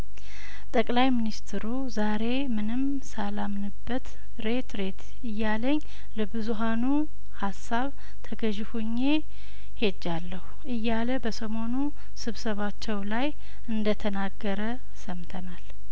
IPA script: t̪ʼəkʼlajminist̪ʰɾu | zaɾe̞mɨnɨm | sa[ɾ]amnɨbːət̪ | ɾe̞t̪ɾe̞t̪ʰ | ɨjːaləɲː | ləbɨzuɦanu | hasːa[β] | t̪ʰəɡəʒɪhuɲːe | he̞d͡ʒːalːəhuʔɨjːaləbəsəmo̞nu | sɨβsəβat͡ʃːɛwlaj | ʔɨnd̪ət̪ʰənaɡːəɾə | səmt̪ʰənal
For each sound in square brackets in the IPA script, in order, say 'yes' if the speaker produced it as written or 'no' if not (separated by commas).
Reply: no, yes